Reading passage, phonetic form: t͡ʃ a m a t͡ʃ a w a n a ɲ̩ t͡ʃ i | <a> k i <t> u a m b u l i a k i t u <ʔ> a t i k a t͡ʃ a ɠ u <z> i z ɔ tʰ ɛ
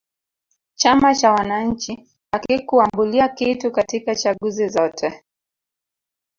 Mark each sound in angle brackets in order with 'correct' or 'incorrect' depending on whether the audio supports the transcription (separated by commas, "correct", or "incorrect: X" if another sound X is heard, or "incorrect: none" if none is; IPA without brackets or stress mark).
correct, incorrect: k, incorrect: k, correct